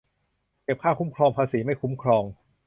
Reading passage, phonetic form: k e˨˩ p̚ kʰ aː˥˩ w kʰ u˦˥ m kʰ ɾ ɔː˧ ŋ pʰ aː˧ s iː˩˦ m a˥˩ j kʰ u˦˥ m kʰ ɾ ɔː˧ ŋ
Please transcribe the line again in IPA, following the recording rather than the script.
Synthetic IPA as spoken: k e˨˩ p̚ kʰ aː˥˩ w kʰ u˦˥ m kʰ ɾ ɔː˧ ŋ pʰ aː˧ s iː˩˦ m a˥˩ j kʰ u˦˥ m kʰ ɾ ɔː˧ ŋ